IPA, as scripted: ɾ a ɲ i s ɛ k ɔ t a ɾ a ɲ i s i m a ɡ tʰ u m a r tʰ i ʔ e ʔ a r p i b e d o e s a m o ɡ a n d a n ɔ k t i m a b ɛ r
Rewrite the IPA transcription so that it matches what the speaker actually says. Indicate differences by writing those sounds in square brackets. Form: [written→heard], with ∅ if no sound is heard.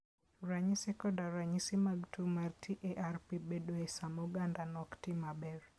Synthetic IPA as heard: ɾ a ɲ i s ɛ k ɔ [t→d] a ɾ a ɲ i s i m a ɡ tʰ u m a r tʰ i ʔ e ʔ a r p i b e d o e s a m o ɡ a n d a n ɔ k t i m a b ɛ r